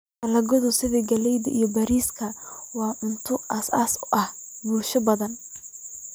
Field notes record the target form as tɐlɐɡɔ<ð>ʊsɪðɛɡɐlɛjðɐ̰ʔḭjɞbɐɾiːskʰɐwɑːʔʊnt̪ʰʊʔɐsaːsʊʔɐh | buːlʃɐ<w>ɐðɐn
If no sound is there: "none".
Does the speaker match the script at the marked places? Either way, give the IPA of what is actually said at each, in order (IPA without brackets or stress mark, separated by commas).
ð, b